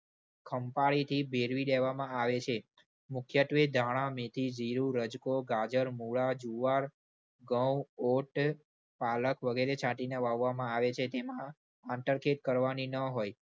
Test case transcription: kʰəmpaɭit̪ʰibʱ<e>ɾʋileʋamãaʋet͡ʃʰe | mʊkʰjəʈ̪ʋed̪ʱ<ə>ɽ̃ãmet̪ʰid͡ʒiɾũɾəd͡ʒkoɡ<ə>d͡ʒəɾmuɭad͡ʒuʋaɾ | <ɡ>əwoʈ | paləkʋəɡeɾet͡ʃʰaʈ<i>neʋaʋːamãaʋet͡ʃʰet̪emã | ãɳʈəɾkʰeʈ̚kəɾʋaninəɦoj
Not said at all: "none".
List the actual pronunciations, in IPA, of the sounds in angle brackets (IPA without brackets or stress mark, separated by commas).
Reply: e, a, a, ɡ, i